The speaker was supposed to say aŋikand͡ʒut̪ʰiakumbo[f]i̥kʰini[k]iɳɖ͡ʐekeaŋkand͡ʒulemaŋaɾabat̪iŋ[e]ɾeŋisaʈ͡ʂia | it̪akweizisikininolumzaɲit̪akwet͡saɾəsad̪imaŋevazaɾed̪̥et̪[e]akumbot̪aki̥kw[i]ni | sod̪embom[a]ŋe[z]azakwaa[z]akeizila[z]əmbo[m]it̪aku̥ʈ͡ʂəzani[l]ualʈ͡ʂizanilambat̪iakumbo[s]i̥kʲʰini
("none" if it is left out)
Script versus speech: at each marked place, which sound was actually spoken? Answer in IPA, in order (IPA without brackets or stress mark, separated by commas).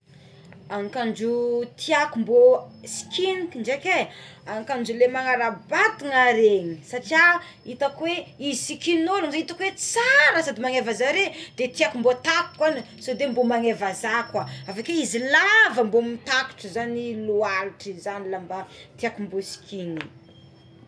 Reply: s, k, a, i, a, a, v, v, v, m, l, s